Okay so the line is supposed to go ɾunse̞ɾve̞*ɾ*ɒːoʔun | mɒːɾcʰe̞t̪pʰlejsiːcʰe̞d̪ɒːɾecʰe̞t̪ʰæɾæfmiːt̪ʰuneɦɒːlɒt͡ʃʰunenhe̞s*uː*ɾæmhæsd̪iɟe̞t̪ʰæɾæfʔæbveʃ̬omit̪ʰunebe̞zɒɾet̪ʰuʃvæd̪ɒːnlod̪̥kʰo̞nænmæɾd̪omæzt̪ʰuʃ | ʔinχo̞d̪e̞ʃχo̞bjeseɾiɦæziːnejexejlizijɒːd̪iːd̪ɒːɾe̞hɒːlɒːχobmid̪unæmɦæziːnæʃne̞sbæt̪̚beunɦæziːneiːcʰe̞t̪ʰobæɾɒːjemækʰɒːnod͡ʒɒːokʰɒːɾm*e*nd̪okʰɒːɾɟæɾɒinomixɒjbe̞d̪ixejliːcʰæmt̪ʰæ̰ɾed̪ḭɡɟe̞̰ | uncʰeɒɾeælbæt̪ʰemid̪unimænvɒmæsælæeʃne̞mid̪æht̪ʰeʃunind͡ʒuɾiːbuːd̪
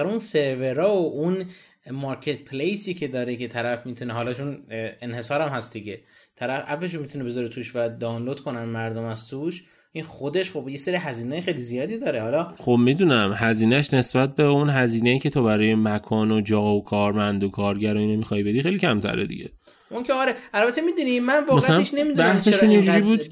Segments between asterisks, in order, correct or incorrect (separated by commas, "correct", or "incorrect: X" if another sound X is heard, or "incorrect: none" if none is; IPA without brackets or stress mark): correct, incorrect: ɒː, incorrect: æ